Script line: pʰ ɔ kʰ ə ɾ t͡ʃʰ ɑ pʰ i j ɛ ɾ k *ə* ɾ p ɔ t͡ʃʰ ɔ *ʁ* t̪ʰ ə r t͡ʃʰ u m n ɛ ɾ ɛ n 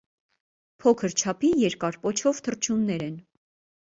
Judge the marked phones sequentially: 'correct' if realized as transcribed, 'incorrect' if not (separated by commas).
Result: incorrect, incorrect